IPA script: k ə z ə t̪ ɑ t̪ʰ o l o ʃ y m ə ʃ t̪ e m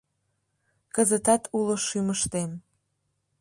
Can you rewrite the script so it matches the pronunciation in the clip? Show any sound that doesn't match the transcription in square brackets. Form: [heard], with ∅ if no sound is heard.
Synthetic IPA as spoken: k ə z ə t̪ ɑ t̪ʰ [u] l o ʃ y m ə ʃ t̪ e m